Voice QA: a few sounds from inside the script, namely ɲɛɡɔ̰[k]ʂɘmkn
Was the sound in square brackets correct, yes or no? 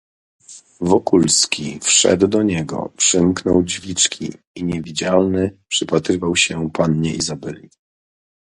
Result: no